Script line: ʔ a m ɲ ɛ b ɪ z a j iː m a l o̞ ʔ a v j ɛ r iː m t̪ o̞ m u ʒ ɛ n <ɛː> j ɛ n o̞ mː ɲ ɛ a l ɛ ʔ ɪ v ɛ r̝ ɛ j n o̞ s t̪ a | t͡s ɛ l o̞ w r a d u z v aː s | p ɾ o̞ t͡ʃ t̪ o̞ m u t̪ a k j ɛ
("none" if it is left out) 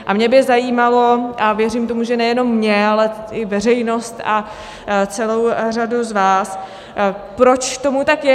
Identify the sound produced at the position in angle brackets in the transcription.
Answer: ɛ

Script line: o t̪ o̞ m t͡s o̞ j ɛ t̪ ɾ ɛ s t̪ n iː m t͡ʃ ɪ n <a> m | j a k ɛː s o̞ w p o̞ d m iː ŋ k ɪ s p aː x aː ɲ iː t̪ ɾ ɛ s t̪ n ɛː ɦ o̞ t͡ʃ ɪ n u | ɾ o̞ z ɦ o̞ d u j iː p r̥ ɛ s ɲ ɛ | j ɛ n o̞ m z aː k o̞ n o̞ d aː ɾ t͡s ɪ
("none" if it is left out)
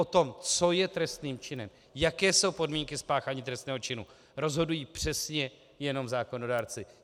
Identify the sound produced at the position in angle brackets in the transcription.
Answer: ɛ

